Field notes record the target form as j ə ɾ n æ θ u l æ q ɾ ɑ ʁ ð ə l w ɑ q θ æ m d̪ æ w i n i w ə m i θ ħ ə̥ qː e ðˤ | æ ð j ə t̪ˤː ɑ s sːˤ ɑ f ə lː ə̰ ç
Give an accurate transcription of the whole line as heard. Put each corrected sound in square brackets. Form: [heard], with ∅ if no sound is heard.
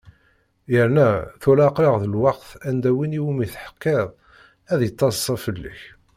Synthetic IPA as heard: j ə ɾ n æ θ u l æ q ɾ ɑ ʁ ð ə l w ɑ q θ æ [n] d̪ æ w i n i w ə m i θ ħ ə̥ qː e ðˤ | æ ð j ə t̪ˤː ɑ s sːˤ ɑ f ə lː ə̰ ç